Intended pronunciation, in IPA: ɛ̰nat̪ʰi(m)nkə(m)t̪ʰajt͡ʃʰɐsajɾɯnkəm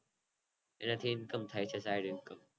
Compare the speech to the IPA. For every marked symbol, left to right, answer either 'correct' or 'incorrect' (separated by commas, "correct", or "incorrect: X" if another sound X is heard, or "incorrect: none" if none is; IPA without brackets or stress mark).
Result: incorrect: none, correct